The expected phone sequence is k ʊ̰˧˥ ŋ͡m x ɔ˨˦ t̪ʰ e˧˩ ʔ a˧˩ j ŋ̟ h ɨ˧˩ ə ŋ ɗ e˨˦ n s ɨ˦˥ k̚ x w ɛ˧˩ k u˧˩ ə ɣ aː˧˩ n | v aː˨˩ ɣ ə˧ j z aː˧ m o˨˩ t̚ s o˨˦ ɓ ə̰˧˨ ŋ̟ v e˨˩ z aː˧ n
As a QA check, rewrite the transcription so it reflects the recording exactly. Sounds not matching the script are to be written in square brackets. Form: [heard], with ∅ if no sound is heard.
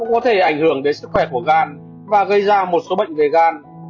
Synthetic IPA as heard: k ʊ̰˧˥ ŋ͡m [k] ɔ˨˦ t̪ʰ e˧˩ ʔ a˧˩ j ŋ̟ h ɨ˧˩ ə ŋ ɗ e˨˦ n s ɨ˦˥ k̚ x w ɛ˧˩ k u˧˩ ə ɣ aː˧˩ n | v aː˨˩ ɣ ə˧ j z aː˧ m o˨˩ t̚ s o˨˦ ɓ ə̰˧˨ ŋ̟ v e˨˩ [ɣ] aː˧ n